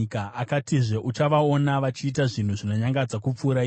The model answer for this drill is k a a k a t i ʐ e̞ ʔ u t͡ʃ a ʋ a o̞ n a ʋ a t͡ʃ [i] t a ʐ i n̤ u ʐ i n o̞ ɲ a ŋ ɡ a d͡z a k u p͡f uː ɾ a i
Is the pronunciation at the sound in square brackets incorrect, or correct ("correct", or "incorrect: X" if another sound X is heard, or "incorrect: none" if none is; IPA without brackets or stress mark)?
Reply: incorrect: iː